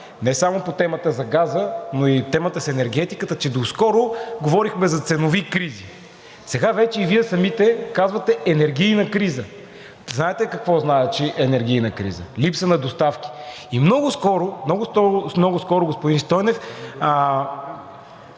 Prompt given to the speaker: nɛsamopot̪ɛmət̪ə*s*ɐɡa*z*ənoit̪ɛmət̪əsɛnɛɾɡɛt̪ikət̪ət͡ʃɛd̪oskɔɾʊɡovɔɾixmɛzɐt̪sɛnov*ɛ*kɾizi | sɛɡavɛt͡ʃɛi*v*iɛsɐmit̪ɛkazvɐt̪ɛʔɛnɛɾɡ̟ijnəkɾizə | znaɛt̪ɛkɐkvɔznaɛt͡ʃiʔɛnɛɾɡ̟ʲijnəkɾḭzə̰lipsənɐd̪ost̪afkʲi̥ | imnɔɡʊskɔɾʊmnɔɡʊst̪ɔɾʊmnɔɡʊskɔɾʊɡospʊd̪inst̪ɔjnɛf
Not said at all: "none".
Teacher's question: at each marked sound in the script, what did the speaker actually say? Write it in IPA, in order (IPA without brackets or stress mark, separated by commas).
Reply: z, z, i, v